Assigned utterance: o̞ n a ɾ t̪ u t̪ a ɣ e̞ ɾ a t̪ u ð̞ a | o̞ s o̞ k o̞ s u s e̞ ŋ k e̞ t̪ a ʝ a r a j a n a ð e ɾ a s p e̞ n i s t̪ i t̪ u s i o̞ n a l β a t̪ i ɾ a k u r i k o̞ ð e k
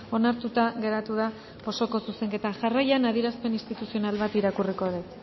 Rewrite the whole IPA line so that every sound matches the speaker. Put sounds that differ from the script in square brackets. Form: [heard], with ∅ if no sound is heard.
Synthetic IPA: o̞ n a ɾ t̪ u t̪ a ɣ e̞ ɾ a t̪ u ð̞ a | o̞ s o̞ k o̞ s u s e̞ ŋ k e̞ t̪ a ʝ a r a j a n a ð [i] ɾ a s p e̞ n i s t̪ i t̪ u s i o̞ n a l β a t̪ i ɾ a k u r i k o̞ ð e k

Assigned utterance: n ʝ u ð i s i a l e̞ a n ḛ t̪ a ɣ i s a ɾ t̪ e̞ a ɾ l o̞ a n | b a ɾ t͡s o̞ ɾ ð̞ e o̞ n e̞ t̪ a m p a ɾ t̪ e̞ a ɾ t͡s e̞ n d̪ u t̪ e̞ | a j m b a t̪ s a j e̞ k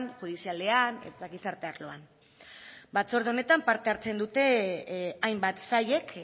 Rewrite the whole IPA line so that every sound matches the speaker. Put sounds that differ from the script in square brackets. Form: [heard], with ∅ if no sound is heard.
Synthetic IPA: n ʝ u ð i s i a l e̞ a n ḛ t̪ a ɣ i s a ɾ t̪ e̞ a ɾ l o̞ a n | b a [∅] t͡s o̞ ɾ ð̞ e o̞ n e̞ t̪ a m p a ɾ t̪ e̞ a ɾ t͡s e̞ n d̪ u t̪ e̞ | a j m b a t̪ s a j e̞ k

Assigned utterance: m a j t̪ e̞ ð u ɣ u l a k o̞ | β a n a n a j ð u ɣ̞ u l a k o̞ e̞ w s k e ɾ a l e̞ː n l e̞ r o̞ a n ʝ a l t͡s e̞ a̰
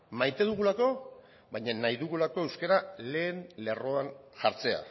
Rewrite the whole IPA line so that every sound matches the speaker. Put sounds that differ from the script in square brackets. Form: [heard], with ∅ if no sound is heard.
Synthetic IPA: m a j t̪ e̞ ð u ɣ u l a k o̞ | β a [ɲ] a n a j ð u ɣ̞ u l a k o̞ e̞ w s k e ɾ a l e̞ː n l e̞ r o̞ a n ʝ a [ɾ] t͡s e̞ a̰

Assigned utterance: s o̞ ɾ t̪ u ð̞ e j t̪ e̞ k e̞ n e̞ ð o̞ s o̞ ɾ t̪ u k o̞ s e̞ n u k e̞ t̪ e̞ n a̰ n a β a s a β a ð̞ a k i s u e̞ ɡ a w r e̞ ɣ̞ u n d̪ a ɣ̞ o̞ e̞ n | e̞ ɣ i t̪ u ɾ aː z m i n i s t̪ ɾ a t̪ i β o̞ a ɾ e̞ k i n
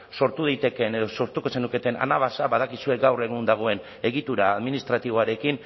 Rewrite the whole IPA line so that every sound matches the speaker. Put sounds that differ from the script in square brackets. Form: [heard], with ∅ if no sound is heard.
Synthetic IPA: s o̞ ɾ t̪ u ð̞ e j t̪ e̞ k e̞ n e̞ ð o̞ s o̞ ɾ t̪ u k o̞ s e̞ n u k e̞ t̪ e̞ n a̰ n a β a s a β a ð̞ a k i s u e̞ ɡ a w r e̞ ɣ̞ u n d̪ a ɣ̞ o̞ e̞ n | e̞ ɣ i t̪ u ɾ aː [ð] m i n i s t̪ ɾ a t̪ i β o̞ a ɾ e̞ k i n

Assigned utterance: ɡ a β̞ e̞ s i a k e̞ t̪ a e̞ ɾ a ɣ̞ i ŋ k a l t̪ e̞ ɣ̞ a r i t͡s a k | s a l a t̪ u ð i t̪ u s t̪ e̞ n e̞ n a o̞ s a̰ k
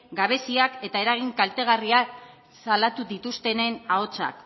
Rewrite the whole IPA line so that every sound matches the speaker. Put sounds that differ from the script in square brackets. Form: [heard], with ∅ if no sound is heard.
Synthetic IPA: ɡ a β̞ e̞ s i a k e̞ t̪ a e̞ ɾ a ɣ̞ i ŋ k a l t̪ e̞ ɣ̞ a r i [∅] a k | s a l a t̪ u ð i t̪ u s t̪ e̞ n e̞ n a o̞ [t͡s] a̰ k

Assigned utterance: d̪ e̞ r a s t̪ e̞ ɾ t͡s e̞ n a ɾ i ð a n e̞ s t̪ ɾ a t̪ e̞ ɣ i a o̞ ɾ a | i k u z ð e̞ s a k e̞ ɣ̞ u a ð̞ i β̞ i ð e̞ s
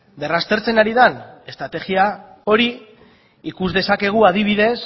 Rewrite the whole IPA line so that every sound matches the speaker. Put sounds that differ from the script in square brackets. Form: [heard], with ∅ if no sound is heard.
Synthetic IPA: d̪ e̞ r a s t̪ e̞ ɾ t͡s e̞ n a ɾ i ð a n e̞ s t̪ ɾ a t̪ e̞ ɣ i a o̞ ɾ [i] | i k u z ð e̞ s a k e̞ ɣ̞ u a ð̞ i β̞ i ð e̞ s

